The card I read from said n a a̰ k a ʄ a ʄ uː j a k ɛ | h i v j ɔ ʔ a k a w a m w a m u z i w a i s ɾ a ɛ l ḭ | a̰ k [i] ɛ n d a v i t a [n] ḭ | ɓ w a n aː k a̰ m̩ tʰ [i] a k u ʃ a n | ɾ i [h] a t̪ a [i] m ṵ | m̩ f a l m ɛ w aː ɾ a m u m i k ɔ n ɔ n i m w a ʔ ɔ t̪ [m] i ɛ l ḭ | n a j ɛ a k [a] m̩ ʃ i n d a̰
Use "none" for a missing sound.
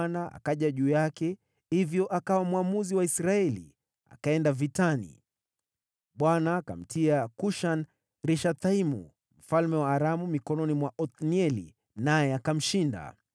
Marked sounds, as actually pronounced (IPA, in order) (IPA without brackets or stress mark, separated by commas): a, n, i, ʃ, i, n, a